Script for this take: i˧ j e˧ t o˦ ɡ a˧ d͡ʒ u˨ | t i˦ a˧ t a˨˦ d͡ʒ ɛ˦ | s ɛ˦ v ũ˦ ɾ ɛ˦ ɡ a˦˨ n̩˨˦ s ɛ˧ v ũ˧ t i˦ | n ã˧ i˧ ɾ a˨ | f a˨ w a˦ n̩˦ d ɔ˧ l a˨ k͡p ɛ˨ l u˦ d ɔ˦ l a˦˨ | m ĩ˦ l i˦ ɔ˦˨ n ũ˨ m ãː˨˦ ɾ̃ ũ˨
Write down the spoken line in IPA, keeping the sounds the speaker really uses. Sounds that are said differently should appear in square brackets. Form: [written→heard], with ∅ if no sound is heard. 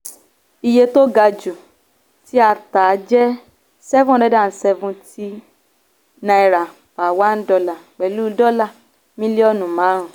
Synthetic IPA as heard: i˧ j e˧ t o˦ ɡ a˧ d͡ʒ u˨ | t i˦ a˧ t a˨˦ d͡ʒ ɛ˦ | s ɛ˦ v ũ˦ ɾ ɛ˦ [ɡ→d] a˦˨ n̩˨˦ s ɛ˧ v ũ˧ t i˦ | n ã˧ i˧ ɾ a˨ | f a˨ w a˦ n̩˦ d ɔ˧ l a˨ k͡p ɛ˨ l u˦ d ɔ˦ l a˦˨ | m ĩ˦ l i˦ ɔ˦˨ n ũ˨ m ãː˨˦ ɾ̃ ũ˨